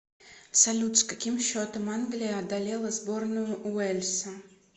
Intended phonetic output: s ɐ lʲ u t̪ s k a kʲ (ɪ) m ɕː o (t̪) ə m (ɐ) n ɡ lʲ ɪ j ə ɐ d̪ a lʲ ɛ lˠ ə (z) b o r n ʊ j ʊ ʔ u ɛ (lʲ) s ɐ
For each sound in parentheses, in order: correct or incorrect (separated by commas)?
incorrect, correct, incorrect, correct, correct